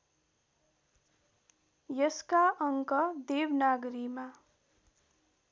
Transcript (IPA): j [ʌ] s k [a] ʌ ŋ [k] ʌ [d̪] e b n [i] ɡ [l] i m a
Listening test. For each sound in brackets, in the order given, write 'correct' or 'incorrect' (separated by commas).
correct, correct, correct, correct, incorrect, incorrect